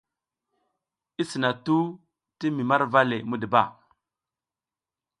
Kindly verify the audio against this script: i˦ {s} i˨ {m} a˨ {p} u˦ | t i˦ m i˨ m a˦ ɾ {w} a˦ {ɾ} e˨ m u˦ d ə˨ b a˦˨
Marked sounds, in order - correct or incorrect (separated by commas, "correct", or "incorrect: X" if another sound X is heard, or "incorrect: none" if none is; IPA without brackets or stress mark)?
correct, incorrect: n, incorrect: t, incorrect: v, incorrect: l